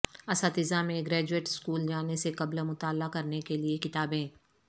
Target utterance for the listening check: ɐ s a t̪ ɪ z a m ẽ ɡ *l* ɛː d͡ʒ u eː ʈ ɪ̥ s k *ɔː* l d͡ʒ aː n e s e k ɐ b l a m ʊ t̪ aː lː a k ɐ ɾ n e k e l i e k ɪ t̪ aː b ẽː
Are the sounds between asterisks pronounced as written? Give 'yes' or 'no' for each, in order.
no, no

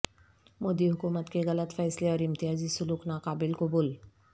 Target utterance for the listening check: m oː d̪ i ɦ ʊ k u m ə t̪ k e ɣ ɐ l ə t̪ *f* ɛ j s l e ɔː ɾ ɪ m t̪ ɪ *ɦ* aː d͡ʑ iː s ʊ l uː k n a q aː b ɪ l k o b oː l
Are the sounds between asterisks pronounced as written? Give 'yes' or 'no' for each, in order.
yes, yes

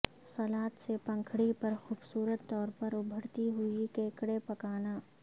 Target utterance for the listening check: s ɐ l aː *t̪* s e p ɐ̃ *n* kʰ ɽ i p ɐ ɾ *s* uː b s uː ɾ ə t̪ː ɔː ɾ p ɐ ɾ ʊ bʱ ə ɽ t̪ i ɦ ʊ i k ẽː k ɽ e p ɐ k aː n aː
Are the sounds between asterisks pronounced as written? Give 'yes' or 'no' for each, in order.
yes, no, no

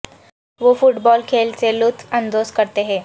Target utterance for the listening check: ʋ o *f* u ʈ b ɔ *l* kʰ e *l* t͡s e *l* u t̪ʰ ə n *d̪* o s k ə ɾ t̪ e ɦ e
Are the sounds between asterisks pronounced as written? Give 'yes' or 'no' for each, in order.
yes, yes, yes, yes, yes

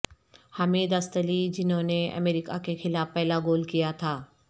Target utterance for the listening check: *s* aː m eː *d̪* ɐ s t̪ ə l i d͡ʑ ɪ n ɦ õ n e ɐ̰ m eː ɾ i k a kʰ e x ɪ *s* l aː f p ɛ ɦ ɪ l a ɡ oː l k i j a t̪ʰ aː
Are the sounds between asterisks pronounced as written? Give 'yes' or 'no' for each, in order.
no, yes, no

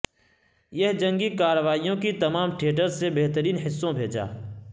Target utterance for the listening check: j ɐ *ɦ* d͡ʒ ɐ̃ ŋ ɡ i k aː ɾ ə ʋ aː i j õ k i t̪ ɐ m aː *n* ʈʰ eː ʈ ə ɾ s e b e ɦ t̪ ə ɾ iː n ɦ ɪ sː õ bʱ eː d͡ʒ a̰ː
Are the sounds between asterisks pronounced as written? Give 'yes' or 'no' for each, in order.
yes, no

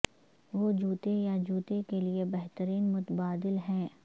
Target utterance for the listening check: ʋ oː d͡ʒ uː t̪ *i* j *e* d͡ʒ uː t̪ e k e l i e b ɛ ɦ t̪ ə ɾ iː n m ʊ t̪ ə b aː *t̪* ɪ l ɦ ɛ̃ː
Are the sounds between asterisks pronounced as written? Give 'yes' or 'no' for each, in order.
no, no, no

